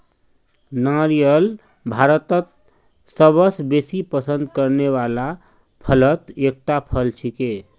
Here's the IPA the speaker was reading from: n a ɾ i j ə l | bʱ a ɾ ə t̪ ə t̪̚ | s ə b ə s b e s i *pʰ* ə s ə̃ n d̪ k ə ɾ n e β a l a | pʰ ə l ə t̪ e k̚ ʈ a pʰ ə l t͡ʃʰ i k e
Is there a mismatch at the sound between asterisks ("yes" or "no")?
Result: yes